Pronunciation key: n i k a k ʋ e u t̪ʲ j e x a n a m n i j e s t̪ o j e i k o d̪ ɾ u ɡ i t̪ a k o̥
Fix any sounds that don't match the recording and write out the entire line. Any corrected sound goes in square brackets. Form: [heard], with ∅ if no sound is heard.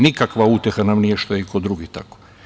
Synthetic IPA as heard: n i k a k ʋ [a] u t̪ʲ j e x a n a m n i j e [ʃ] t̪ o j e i k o d̪ ɾ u ɡ i t̪ a k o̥